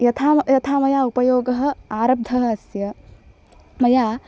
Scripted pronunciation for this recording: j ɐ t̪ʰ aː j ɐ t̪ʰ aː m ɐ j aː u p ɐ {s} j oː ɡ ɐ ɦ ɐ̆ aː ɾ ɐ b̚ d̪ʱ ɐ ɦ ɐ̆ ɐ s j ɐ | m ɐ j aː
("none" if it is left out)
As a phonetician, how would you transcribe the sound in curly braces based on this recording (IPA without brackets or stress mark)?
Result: none